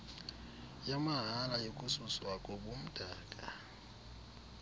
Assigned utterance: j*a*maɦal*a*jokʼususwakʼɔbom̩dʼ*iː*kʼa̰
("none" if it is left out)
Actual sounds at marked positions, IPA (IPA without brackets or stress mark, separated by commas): a, a, aː